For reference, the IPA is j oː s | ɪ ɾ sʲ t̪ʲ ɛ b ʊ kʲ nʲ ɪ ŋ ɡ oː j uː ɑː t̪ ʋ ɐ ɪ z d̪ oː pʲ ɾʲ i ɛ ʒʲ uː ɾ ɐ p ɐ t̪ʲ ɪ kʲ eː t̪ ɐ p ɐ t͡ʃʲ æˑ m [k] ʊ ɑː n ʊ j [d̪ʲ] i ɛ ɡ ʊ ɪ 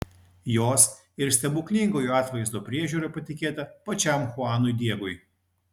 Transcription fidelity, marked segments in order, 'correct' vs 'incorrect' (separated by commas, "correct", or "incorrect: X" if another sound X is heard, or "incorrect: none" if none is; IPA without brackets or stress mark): incorrect: x, correct